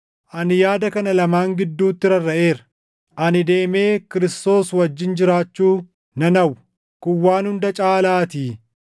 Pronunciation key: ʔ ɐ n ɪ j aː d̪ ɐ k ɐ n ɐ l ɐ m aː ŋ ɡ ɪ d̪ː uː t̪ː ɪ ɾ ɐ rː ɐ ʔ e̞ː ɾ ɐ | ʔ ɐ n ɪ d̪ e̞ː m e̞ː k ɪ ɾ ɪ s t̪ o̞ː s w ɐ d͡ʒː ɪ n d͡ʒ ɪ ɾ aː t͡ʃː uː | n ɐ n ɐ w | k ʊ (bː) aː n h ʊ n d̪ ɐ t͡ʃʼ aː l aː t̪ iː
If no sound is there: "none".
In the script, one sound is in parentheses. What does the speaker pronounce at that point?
wː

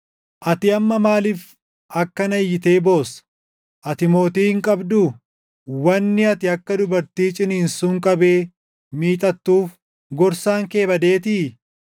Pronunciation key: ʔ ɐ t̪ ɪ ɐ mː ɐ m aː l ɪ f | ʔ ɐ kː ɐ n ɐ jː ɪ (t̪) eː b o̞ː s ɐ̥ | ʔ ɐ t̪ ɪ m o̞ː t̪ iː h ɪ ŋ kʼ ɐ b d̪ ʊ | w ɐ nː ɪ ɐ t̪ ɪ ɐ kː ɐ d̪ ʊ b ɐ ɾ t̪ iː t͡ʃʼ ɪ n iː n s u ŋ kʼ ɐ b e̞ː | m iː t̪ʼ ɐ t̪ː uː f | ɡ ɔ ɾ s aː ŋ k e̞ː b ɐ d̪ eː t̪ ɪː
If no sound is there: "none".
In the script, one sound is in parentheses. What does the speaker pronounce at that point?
t̪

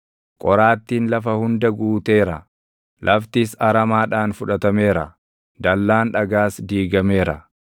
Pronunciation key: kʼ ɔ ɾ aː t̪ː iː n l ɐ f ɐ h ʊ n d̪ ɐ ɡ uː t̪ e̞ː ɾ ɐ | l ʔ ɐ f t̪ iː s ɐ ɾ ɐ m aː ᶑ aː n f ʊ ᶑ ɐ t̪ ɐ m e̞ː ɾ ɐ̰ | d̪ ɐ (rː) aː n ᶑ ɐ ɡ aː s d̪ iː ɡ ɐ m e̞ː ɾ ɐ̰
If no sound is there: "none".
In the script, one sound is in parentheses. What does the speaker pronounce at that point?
lː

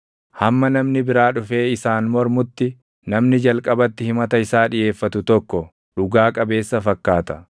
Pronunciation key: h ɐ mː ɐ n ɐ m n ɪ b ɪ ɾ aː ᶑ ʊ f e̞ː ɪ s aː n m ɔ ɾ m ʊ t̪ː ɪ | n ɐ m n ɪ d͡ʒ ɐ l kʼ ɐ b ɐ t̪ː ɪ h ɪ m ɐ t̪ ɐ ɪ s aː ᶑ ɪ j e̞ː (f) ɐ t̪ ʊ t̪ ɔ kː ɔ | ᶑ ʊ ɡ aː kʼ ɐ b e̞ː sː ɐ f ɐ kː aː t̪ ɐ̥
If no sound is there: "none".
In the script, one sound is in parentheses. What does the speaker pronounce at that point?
fː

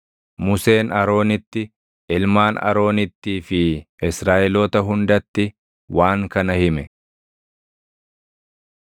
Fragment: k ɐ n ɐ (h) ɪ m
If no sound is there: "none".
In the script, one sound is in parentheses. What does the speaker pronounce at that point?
h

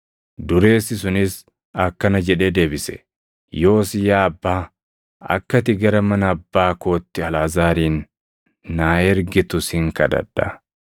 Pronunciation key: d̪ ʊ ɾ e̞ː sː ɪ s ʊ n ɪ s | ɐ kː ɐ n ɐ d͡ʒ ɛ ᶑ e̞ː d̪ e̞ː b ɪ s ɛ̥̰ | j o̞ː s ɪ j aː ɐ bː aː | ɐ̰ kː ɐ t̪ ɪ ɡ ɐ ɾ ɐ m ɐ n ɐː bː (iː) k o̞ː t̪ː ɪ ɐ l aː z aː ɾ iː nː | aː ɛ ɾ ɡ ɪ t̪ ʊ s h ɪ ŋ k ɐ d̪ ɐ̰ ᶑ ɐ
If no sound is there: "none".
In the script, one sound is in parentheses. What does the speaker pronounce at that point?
aː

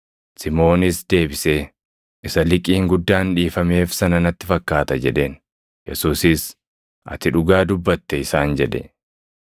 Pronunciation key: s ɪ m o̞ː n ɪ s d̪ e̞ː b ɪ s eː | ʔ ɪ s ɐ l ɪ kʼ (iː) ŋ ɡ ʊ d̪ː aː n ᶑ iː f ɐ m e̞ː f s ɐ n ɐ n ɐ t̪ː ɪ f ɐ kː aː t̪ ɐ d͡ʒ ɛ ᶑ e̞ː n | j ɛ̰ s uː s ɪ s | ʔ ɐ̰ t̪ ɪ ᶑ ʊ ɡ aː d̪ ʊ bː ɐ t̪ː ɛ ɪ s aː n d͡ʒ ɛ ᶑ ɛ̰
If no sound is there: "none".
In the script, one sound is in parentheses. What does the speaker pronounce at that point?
iː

